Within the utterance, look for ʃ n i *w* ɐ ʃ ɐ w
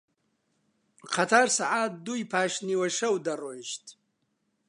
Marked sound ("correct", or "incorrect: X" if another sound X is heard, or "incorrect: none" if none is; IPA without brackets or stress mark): correct